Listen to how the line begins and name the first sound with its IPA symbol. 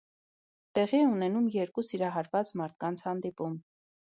t̪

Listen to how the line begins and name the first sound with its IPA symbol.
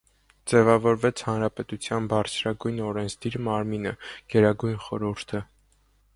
d͡z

